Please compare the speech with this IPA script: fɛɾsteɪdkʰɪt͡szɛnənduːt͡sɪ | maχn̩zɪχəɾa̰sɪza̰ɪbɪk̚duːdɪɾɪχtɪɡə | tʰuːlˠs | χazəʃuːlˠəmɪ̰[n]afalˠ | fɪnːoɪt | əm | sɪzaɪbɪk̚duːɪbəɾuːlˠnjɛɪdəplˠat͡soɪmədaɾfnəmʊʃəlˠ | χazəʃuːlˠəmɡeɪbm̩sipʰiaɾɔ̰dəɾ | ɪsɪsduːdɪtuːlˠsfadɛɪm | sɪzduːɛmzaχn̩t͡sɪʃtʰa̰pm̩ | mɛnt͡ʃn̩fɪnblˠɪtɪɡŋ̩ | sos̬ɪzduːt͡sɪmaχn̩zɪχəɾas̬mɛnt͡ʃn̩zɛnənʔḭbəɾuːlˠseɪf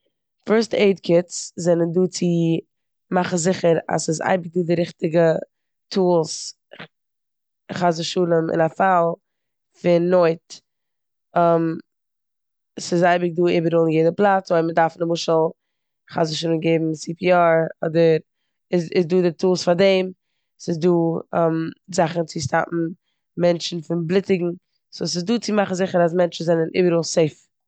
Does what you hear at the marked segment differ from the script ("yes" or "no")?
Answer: no